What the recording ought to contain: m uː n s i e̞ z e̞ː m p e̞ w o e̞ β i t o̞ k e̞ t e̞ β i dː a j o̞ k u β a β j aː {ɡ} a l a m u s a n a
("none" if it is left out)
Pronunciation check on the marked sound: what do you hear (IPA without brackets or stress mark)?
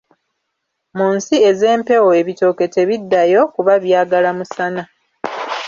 ɡ